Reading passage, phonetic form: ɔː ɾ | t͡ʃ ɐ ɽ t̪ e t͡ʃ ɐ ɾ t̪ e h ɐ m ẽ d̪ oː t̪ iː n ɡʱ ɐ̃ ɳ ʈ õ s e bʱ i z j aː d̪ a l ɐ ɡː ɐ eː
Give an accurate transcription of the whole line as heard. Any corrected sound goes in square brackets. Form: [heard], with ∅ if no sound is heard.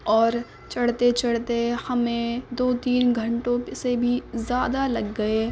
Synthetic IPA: ɔː ɾ | t͡ʃ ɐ ɽ t̪ e t͡ʃ ɐ [ɽ] t̪ e h ɐ m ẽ d̪ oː t̪ iː n ɡʱ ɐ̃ ɳ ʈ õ s e bʱ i z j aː d̪ a l ɐ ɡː ɐ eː